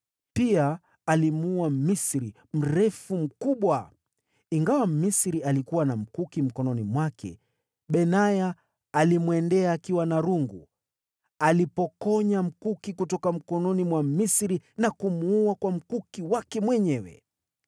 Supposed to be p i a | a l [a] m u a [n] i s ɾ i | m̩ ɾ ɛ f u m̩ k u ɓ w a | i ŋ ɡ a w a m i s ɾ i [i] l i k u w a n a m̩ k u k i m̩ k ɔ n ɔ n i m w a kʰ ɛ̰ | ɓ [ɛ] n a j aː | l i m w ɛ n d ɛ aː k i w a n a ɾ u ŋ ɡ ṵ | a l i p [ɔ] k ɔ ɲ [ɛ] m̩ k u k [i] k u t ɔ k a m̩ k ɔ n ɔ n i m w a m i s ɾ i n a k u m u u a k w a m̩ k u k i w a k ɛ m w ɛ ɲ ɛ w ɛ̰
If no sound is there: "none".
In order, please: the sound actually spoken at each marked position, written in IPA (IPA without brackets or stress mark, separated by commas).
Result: i, m, a, ɛ, ɔ, a, i